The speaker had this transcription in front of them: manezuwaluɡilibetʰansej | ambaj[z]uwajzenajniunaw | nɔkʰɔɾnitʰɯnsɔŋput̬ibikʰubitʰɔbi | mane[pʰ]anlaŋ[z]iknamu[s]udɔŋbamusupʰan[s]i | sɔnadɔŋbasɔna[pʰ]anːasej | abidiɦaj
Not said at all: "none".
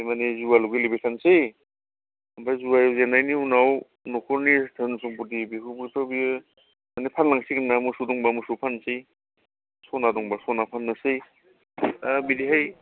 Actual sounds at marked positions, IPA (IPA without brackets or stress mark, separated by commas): z, pʰ, s, s, s, pʰ